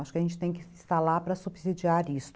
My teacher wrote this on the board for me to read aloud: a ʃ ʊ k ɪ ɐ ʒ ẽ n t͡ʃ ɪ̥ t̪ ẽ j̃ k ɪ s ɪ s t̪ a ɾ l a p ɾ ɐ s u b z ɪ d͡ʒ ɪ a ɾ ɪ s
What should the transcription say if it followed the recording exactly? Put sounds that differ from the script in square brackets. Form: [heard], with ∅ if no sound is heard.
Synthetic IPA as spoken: a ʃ ʊ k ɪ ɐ ʒ ẽ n t͡ʃ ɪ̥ t̪ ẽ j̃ k ɪ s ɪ s t̪ a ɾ l a p ɾ ɐ s u b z [i] d͡ʒ [i] a ɾ [i] s